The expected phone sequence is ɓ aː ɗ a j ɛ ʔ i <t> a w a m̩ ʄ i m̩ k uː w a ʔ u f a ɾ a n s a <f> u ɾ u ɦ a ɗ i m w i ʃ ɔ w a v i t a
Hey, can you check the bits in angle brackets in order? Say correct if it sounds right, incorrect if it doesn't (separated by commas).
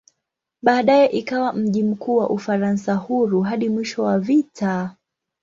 incorrect, incorrect